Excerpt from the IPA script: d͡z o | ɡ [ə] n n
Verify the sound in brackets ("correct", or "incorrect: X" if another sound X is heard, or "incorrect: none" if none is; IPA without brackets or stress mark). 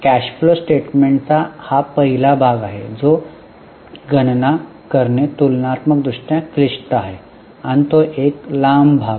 correct